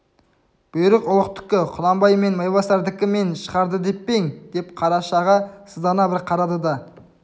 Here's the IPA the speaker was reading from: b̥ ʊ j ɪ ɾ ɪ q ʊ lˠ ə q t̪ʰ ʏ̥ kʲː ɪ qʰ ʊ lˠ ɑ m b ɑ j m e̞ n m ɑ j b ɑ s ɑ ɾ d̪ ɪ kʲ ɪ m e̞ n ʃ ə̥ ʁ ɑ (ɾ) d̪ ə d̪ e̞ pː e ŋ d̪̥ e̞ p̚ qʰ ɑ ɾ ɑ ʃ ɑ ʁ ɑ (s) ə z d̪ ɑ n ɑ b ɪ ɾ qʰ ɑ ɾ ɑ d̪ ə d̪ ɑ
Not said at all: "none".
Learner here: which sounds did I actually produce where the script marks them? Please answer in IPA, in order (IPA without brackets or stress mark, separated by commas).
ɾ, s